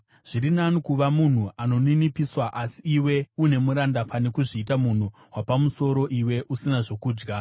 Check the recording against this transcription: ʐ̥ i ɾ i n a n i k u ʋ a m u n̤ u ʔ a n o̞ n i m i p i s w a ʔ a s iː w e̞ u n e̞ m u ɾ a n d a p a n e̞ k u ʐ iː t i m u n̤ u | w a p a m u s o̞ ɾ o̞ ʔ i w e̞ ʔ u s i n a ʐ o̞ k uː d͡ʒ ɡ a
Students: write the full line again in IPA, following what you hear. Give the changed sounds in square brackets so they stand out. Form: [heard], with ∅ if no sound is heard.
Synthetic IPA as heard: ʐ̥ i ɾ i n a n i k u ʋ a m u n̤ u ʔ a n o̞ n i [n] i p i s w a ʔ a s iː w e̞ u n e̞ m u ɾ a n d a p a n e̞ k u ʐ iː t [a] m u n̤ u | w a p a m u s o̞ ɾ o̞ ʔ i w e̞ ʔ u s i n a ʐ o̞ k uː d͡ʒ ɡ a